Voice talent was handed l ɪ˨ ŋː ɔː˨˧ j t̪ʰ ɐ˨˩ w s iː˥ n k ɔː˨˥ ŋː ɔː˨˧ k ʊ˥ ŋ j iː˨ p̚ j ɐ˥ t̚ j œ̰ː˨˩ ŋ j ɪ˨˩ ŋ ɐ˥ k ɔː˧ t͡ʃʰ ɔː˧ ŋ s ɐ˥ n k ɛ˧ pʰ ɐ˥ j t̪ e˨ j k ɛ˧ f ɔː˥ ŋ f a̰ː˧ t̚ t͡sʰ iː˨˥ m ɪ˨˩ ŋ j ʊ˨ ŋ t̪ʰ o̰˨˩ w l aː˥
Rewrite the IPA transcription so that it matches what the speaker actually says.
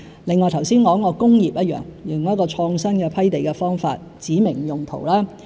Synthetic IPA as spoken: l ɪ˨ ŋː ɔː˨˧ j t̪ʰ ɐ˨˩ w s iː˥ n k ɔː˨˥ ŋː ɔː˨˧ k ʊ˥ ŋ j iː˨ p̚ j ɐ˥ t̚ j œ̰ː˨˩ ŋ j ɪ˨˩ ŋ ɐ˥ k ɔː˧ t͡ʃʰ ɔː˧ ŋ s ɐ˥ n k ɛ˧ pʰ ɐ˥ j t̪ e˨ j k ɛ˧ f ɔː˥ ŋ f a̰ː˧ t̚ t͡s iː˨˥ m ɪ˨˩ ŋ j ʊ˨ ŋ t̪ʰ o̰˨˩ w l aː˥